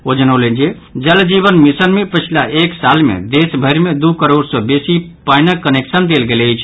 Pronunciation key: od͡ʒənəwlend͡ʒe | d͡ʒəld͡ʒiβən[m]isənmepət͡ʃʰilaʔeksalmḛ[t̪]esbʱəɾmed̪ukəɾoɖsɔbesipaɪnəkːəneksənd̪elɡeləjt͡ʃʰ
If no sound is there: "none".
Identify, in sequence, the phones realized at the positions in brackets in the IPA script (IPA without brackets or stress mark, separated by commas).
m, d̪